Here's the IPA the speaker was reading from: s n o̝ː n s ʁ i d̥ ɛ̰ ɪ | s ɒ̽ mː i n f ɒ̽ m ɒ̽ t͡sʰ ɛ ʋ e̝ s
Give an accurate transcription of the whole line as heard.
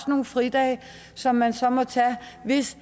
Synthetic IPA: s n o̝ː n f ʁ i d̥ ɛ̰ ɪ | s ɒ̽ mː æ n s ɒ̽ m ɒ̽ t͡sʰ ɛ ʋ e̝ s